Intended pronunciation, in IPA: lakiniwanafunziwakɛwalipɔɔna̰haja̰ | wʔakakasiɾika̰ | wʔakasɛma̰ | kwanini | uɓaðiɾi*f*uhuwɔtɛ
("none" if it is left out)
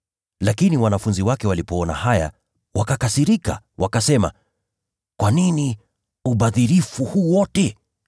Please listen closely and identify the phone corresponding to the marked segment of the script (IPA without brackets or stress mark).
f